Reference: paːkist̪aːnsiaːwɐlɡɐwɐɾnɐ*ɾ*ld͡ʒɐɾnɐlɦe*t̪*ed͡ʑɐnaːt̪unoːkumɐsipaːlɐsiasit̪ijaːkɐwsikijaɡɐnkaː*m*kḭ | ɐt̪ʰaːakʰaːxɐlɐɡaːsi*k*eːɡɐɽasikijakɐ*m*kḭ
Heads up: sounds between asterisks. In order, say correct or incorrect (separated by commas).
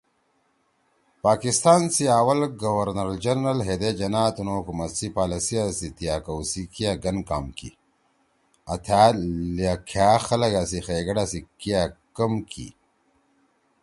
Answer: correct, incorrect, correct, incorrect, correct